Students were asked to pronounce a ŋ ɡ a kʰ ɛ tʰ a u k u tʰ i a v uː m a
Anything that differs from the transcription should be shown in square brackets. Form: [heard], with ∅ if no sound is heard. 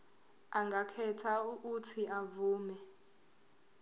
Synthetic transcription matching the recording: a ŋ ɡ a kʰ ɛ tʰ a u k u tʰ i a v uː m [ɛ]